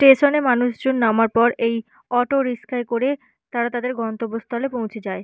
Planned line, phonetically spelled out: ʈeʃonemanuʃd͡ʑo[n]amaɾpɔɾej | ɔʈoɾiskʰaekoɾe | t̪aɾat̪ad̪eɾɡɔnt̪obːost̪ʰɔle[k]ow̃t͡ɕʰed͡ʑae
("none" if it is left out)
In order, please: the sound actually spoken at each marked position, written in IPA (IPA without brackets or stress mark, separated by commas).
nː, p